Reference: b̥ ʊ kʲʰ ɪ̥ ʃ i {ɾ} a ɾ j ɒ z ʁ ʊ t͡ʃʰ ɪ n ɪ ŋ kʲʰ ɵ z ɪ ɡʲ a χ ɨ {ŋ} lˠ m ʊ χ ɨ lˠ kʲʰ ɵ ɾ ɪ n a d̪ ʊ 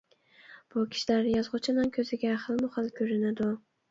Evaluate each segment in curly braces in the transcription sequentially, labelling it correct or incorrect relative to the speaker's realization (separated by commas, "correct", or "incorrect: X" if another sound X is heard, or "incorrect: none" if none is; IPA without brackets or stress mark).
incorrect: l, incorrect: none